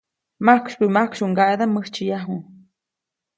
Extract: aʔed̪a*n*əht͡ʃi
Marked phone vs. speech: incorrect: m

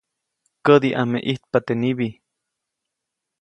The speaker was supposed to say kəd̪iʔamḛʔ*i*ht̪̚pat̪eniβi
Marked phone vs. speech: correct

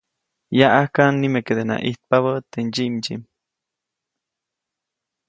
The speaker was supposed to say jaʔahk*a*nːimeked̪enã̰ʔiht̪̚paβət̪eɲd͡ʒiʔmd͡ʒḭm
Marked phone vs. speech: correct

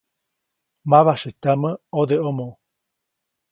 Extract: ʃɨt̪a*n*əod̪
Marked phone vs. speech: incorrect: m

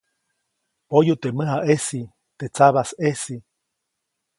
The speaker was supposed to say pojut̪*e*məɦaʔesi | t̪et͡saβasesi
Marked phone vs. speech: correct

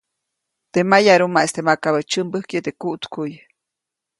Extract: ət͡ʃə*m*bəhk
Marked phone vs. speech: correct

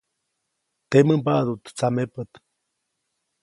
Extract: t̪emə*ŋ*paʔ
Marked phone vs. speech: incorrect: m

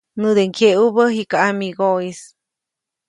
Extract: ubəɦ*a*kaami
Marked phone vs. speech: incorrect: i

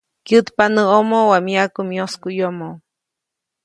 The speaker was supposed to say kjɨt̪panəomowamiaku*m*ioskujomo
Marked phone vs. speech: correct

